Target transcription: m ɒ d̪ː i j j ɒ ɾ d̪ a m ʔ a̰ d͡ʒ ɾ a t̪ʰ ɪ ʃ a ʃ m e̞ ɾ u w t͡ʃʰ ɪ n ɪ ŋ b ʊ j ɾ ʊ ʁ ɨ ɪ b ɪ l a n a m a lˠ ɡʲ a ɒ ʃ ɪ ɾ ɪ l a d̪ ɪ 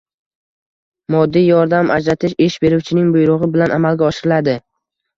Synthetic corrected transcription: m ɒ d̪ː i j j ɒ ɾ d̪ a m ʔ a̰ d͡ʒ ɾ a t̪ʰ ɪ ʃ e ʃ b e̞ ɾ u w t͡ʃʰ ɪ n ɪ ŋ b ʊ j ɾ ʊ ʁ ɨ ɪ b ɪ l a n a m a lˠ ɡʲ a ɒ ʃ ɪ ɾ ɪ l a d̪ ɪ